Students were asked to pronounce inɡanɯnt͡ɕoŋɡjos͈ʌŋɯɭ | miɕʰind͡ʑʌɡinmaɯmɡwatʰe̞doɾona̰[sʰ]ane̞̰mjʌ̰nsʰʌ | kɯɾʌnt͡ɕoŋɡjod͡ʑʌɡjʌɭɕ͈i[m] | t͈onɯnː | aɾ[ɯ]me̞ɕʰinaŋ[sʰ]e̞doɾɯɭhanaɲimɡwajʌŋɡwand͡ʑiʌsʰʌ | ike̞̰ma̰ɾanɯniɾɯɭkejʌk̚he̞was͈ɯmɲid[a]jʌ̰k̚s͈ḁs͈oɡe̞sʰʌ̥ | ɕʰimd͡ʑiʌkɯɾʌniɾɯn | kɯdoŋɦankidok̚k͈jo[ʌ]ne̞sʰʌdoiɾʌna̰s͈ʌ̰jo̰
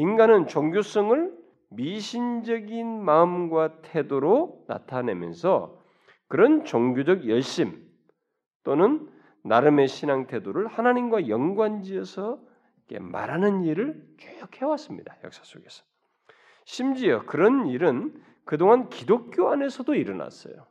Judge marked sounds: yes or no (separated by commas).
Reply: no, yes, yes, no, yes, no